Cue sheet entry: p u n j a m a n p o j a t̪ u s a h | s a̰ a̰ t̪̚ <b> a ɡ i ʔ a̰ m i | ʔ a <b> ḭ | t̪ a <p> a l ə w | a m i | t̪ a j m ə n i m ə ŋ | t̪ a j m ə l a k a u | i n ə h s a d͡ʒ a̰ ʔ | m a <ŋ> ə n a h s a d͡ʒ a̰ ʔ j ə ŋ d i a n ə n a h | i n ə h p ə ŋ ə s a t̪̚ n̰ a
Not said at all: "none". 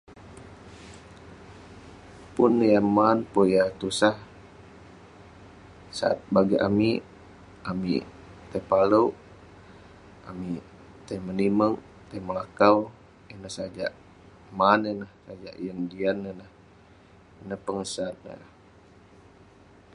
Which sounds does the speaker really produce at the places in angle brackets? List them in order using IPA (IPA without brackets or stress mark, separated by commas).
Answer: b, m, p, n